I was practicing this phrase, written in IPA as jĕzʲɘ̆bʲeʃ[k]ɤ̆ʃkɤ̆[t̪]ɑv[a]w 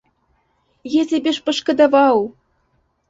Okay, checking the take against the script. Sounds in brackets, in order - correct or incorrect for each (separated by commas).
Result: incorrect, incorrect, incorrect